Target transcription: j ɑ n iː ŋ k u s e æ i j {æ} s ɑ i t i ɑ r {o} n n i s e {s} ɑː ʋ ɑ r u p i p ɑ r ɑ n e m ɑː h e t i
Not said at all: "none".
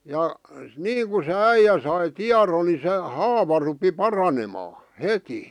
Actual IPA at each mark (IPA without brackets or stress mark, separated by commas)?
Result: æ, o, h